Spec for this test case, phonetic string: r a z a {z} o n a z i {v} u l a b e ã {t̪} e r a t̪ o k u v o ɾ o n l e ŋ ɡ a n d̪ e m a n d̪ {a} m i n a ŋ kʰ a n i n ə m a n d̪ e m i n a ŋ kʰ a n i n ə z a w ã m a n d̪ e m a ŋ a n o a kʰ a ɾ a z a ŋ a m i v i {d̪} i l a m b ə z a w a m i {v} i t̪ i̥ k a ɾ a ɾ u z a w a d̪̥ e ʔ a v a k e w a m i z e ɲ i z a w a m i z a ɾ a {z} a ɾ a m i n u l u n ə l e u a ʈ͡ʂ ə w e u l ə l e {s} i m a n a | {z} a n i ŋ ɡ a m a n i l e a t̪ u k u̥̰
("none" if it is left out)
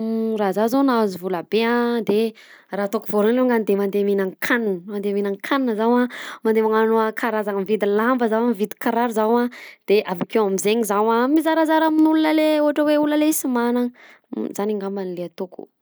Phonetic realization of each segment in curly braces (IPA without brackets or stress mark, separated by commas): z, v, d̪, e, d̪, v, z, s, z